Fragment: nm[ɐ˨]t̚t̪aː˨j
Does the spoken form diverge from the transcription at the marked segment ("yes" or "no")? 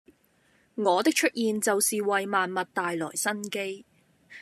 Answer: no